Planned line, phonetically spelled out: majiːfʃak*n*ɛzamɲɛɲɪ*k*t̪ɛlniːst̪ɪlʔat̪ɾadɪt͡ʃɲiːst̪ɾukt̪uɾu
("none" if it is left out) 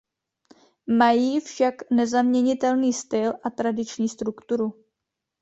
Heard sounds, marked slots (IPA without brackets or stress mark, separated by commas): n, none